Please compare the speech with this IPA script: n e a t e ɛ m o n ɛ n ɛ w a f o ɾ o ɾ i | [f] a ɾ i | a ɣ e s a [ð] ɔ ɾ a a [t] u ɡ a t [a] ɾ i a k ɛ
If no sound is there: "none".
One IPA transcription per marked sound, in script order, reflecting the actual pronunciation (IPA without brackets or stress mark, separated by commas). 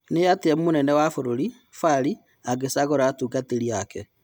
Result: f, ɣ, t, e